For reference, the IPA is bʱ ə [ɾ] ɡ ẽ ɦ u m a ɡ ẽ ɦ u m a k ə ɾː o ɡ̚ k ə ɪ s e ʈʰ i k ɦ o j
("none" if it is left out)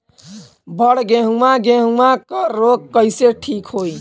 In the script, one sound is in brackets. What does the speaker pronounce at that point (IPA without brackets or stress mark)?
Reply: ɽ